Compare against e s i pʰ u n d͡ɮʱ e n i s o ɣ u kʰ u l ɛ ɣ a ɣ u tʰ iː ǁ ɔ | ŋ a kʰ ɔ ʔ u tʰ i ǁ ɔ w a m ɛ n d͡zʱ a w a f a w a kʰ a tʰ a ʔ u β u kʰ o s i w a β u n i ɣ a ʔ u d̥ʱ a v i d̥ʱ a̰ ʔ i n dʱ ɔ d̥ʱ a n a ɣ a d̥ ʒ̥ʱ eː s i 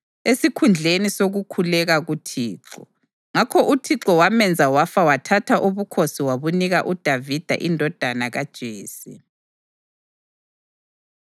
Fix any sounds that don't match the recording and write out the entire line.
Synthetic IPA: e s i kʰ u n d͡ɮʱ e n i s o ɣ u kʰ u l ɛ ɣ a ɣ u tʰ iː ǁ ɔ | ŋ a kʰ ɔ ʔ u tʰ i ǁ ɔ w a m ɛ n d͡zʱ a w a f a w a tʰ a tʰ a ʔ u β u kʰ o s i w a β u n i ɣ a ʔ u d̥ʱ a v i d̥ʱ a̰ ʔ i n dʱ ɔ d̥ʱ a n a ɣ a d̥ ʒ̥ʱ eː s i